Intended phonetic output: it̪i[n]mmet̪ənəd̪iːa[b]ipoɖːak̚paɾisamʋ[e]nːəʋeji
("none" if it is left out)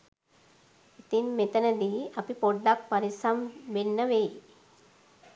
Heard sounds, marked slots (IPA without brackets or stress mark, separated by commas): none, p, e